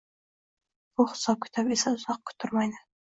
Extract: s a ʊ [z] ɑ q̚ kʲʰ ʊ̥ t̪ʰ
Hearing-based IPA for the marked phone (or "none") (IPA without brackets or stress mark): z